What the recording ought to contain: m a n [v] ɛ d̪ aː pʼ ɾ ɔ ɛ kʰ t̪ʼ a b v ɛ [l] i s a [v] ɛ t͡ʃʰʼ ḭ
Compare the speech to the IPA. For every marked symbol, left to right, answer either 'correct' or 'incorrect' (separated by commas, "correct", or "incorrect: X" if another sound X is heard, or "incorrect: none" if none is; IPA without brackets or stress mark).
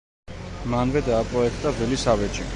correct, correct, correct